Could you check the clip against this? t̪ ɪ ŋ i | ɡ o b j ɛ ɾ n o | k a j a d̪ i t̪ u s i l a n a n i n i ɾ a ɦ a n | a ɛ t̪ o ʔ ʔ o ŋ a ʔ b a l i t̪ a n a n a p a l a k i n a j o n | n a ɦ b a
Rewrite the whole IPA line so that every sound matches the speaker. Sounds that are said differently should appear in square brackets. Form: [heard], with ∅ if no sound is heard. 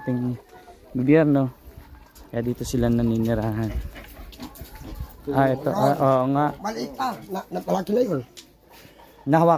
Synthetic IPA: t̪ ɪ ŋ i | ɡ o b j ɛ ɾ n o | k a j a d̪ i t̪ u s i l a n a n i n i ɾ a ɦ a n | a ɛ t̪ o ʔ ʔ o ŋ a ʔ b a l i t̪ a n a n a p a l a k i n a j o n | n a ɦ [w] a